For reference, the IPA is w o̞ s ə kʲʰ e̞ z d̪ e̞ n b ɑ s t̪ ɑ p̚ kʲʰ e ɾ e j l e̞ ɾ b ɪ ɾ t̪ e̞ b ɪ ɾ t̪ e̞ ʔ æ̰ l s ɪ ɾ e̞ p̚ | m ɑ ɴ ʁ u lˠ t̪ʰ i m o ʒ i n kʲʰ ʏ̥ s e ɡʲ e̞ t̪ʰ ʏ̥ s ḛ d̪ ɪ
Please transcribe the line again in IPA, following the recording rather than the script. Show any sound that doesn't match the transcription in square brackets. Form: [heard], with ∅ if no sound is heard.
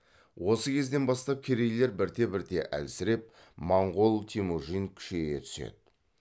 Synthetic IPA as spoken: w o̞ s ə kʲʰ e̞ z d̪ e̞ n b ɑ s t̪ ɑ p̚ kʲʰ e ɾ e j l e̞ ɾ b ɪ ɾ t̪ e̞ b ɪ ɾ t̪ e̞ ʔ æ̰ l s ɪ ɾ e̞ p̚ | m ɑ ɴ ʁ [o] lˠ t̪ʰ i m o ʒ i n kʲʰ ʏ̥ [ʃ] e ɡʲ e̞ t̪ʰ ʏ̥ s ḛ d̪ ɪ

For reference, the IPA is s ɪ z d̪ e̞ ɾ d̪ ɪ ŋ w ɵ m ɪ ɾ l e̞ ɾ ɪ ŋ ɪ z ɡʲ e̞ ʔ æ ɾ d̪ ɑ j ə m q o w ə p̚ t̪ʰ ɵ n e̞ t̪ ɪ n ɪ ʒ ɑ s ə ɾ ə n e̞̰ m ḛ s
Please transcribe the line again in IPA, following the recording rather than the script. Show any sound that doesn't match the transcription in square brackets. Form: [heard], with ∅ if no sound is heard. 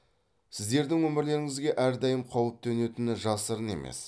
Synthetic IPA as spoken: s ɪ z d̪ e̞ ɾ d̪ ɪ ŋ w ɵ m ɪ ɾ l e̞ ɾ ɪ ŋ ɪ z ɡʲ e̞ ʔ æ ɾ d̪ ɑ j ə m [qʰ] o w ə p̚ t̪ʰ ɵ n e̞ t̪ ɪ n ɪ ʒ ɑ s ə ɾ ə n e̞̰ m ḛ s

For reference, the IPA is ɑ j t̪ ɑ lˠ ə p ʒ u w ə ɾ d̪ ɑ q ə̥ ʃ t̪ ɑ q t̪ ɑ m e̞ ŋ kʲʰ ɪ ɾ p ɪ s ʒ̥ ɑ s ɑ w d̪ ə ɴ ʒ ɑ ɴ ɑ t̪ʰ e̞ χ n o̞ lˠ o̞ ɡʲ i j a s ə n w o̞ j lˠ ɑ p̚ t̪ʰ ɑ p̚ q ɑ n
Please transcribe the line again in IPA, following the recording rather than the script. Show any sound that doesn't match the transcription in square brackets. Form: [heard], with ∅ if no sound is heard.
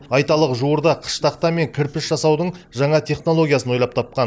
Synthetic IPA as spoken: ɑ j t̪ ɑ lˠ ə [q] ʒ u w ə ɾ d̪ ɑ [qʰ] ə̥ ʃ t̪ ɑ q t̪ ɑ m e̞ ŋ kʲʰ ɪ ɾ p ɪ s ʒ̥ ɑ s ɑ w d̪ ə ɴ ʒ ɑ ɴ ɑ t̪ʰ e̞ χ n o̞ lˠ o̞ ɡʲ i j a s ə n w o̞ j lˠ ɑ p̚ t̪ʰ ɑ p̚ q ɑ n

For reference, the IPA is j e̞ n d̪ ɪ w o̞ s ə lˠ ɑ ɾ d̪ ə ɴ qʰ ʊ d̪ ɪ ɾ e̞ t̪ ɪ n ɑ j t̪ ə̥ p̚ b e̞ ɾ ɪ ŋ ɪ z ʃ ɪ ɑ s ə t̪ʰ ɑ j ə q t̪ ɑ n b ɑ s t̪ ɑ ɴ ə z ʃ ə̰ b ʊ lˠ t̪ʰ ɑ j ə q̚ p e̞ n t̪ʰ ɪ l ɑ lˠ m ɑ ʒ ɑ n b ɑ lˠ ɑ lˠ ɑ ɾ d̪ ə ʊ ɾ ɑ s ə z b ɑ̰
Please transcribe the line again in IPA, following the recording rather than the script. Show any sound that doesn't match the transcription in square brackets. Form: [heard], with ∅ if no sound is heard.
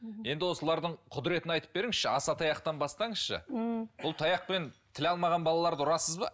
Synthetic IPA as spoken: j e̞ n d̪ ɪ w o̞ s ə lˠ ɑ ɾ d̪ ə ɴ qʰ ʊ d̪ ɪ ɾ e̞ t̪ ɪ n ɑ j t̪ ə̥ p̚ b e̞ ɾ ɪ ŋ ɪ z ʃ ɪ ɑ s [ɑ] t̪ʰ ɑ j [ɑ] q t̪ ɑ n b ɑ s t̪ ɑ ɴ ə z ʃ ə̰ b ʊ lˠ t̪ʰ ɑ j [ɑ] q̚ p e̞ n t̪ʰ ɪ l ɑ lˠ m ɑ [ʁ] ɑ n b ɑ lˠ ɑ lˠ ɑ ɾ d̪ ə ʊ ɾ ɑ s ə z b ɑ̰

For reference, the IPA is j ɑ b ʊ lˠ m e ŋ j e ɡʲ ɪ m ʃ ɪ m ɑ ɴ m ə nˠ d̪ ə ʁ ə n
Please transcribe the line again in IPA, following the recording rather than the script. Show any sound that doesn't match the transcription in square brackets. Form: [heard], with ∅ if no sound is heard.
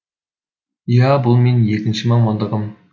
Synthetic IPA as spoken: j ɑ b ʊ lˠ m e [n] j e [kʲ] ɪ [n] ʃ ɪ m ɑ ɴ m [ɑ] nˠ d̪ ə ʁ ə [m]

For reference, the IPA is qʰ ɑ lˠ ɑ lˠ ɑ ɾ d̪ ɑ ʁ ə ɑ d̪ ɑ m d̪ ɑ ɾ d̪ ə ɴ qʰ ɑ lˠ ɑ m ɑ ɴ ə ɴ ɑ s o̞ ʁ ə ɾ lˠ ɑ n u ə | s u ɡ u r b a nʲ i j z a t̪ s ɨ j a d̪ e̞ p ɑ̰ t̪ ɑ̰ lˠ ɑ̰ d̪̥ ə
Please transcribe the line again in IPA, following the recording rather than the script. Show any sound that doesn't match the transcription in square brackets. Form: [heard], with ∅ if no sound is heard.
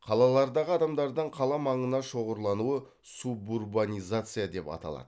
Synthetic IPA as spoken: qʰ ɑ lˠ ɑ lˠ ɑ ɾ d̪ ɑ ʁ ə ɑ d̪ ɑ m d̪ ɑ ɾ d̪ ə ɴ qʰ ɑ lˠ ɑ m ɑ ɴ ə [n] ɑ [ʃ] o̞ ʁ ə ɾ lˠ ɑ n u ə | s u [b] u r b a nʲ i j z a t̪ s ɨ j a d̪ e̞ p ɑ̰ t̪ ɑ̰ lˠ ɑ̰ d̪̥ ə

